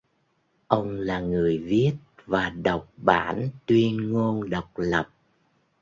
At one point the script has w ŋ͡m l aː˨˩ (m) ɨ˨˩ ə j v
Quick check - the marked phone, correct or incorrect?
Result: incorrect